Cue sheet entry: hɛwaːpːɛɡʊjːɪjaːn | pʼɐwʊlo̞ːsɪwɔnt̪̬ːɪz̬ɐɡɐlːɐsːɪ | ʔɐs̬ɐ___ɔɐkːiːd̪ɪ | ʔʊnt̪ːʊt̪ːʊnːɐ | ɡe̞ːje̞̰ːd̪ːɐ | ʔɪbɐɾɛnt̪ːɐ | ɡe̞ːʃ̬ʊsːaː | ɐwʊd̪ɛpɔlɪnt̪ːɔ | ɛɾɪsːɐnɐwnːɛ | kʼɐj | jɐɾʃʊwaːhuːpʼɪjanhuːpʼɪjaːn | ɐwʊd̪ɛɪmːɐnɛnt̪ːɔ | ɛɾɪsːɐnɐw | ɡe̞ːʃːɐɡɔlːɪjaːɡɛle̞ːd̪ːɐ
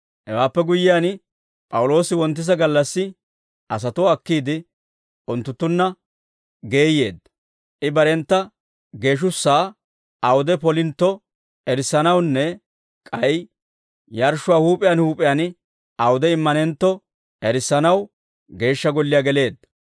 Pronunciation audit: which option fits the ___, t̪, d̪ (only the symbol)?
t̪